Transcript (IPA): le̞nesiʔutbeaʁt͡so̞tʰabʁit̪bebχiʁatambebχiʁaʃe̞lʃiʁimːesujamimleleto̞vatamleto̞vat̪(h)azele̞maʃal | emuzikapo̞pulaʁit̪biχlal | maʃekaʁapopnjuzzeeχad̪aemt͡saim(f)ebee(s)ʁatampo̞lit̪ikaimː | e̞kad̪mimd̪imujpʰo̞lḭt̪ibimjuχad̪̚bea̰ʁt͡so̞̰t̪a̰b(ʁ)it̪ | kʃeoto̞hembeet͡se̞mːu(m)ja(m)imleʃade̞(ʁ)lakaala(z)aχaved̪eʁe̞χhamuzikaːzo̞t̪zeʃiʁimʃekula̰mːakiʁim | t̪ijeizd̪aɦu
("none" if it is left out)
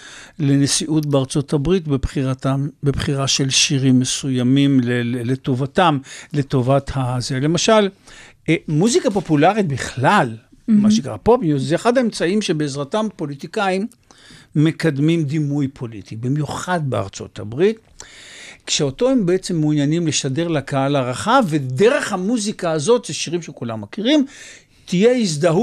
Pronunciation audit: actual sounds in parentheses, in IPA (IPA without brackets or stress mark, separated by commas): h, ʃ, z, ʁ, n, n, ʁ, ʁ